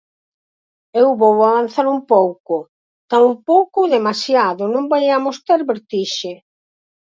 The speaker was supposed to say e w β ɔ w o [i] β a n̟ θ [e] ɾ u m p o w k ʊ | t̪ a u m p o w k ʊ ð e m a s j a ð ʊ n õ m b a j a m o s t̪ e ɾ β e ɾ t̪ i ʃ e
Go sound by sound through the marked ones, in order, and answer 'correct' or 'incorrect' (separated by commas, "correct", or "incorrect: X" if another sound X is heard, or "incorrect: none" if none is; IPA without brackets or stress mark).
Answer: incorrect: a, incorrect: a